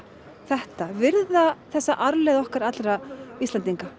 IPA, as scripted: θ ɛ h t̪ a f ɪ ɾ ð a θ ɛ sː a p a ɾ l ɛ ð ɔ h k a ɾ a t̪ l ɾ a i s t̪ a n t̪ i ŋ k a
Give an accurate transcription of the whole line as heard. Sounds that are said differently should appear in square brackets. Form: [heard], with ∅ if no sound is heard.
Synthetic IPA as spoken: θ ɛ h t̪ a [v] ɪ ɾ ð a θ ɛ sː a [ʔ] a ɾ l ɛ ð ɔ h k a ɾ a t̪ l ɾ a i s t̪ a n t̪ i ŋ k a